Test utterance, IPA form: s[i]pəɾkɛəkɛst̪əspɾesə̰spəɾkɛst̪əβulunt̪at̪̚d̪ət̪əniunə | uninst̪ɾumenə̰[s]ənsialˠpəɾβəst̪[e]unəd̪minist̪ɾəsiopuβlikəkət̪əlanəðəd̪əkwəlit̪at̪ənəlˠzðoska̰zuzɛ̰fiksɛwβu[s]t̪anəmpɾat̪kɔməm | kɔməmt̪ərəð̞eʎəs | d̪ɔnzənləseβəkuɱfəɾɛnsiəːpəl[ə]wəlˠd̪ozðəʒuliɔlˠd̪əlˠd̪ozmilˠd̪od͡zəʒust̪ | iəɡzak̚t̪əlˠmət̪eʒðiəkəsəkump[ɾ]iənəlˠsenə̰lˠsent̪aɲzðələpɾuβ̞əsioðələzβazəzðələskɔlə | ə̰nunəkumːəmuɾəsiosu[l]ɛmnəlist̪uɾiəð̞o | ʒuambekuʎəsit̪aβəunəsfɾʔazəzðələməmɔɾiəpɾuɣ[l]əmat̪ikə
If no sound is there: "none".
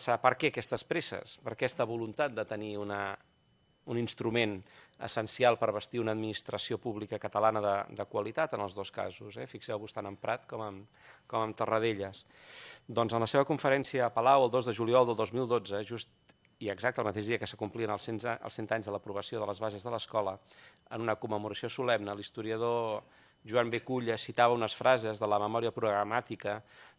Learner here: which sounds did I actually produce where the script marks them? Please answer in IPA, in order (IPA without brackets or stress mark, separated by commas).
a, s, i, s, a, l, l, ɾ